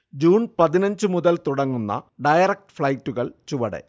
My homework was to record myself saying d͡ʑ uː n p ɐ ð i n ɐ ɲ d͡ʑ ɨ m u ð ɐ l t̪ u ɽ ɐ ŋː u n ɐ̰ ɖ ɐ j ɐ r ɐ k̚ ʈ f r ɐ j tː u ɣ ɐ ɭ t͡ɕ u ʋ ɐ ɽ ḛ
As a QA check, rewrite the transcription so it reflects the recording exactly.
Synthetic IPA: d͡ʑ uː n p ɐ ð i n ɐ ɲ d͡ʑ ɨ m u ð ɐ l t̪ u ɽ ɐ ŋː u nː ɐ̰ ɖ ɐ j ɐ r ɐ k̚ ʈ f ɭ ɐ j tː u ɣ ɐ ɭ t͡ɕ u ʋ ɐ ɽ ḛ